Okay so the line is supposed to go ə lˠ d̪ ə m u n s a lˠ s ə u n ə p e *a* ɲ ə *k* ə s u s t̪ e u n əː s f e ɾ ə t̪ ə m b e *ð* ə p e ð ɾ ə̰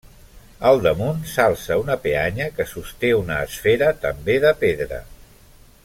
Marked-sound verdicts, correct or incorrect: correct, correct, correct

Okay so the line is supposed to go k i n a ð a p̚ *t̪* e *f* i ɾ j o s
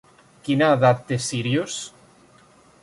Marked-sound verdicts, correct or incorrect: correct, incorrect: s

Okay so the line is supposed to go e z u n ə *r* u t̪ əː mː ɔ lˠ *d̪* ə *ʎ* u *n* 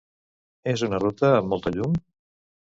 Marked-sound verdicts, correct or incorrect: correct, incorrect: t̪, correct, incorrect: m

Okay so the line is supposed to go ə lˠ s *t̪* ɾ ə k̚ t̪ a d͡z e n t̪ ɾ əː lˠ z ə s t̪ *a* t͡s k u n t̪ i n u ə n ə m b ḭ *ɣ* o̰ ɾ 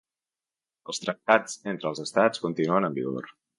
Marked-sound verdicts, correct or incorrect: correct, correct, correct

